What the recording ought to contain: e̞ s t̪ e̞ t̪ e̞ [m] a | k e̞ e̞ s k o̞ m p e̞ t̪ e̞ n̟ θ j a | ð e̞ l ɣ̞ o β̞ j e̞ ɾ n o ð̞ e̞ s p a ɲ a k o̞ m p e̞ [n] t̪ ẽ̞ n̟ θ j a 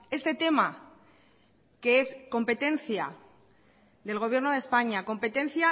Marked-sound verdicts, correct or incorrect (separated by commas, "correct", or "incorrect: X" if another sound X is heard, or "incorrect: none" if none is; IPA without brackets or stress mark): correct, incorrect: none